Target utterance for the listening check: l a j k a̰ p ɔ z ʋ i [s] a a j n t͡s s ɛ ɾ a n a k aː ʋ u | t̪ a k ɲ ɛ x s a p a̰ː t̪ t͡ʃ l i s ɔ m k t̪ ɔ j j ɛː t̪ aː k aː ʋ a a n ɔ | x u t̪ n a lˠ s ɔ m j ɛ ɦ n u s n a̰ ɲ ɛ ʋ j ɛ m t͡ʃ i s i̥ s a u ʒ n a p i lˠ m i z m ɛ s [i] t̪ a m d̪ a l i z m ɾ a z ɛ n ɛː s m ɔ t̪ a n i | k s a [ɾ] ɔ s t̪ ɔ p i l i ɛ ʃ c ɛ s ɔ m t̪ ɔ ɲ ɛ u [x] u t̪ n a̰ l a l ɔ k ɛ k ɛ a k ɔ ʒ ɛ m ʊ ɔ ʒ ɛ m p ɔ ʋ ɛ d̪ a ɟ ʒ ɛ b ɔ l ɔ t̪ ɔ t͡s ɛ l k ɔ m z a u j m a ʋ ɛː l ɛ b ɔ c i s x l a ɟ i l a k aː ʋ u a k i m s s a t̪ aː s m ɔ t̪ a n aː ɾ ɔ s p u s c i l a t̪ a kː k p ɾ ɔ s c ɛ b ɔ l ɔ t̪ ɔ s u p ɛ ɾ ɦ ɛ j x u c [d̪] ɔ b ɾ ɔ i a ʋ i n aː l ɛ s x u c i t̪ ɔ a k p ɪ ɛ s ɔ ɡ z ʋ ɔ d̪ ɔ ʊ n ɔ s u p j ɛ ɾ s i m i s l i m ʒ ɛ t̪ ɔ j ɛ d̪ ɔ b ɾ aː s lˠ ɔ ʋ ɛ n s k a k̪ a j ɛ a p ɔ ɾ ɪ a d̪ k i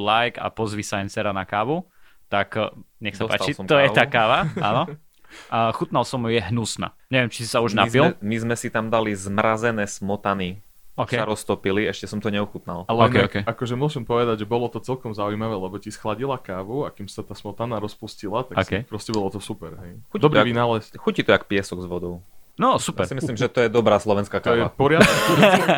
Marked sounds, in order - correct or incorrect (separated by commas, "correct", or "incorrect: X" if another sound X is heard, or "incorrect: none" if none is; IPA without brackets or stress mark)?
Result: correct, correct, correct, correct, correct